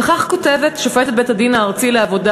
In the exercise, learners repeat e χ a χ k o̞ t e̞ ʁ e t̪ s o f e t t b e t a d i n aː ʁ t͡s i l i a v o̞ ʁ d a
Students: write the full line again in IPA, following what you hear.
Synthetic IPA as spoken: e χ a χ k o̞ t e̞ v e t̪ ʃ o f e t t b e t a d i n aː ʁ t͡s i l e a v o̞ d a